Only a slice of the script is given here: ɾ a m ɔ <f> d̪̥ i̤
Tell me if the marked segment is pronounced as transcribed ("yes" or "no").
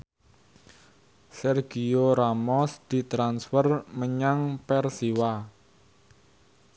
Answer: no